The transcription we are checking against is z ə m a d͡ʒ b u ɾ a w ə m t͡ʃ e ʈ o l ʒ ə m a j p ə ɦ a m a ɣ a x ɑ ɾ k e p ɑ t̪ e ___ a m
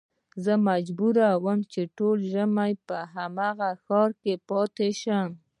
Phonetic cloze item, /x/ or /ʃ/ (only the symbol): ʃ